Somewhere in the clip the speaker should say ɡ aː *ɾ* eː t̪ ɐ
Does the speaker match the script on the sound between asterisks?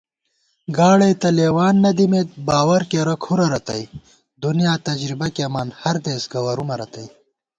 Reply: no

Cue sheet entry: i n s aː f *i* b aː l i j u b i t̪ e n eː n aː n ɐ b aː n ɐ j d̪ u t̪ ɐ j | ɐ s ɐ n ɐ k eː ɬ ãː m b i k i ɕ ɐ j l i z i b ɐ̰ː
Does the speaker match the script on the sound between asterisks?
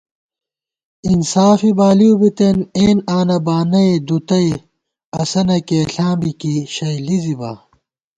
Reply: yes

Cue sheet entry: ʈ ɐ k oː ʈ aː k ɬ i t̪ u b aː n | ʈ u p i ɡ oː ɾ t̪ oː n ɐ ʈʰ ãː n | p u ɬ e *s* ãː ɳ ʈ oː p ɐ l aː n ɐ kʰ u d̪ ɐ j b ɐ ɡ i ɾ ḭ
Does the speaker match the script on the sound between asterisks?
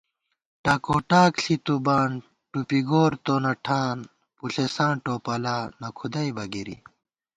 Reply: yes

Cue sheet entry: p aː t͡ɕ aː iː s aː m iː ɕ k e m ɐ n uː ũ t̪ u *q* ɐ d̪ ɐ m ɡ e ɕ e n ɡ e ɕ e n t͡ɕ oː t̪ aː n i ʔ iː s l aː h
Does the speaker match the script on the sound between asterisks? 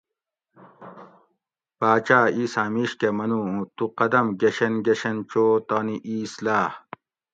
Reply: yes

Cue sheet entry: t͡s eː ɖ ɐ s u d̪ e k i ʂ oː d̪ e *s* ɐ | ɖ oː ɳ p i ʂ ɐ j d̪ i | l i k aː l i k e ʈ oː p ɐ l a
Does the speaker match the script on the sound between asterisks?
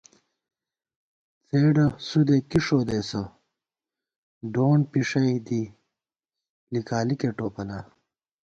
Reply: yes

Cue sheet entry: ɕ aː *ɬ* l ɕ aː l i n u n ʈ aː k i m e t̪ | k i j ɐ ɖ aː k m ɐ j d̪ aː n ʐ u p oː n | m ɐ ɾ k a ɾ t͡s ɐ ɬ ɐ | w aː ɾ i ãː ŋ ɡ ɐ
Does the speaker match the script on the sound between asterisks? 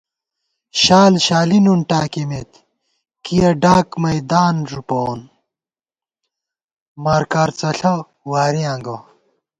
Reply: no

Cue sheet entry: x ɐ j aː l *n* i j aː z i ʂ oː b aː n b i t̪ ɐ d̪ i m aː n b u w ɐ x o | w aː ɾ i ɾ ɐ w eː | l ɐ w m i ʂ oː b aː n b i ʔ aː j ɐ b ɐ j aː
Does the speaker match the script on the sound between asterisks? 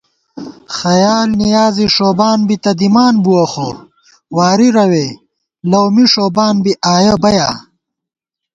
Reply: yes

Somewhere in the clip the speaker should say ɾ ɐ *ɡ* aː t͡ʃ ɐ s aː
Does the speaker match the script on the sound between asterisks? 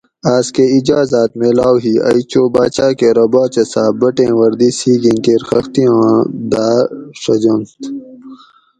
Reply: no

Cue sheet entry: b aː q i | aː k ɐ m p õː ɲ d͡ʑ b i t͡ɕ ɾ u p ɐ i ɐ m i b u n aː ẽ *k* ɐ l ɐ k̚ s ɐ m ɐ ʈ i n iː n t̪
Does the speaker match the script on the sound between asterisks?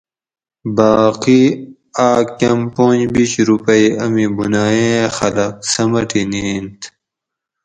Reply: no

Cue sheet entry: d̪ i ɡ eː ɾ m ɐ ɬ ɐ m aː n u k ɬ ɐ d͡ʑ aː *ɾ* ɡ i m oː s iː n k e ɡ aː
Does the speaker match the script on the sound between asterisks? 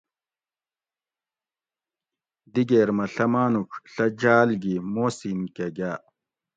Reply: no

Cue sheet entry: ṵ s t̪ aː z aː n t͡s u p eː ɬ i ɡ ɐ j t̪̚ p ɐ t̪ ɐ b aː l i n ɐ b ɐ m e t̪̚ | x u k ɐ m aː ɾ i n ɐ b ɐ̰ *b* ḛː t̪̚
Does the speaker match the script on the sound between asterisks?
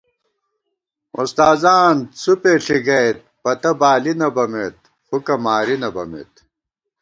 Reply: no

